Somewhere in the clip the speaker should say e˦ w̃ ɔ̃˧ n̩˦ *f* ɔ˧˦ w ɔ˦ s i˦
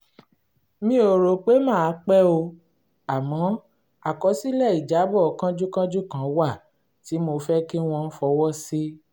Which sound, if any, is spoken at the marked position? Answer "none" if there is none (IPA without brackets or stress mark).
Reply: f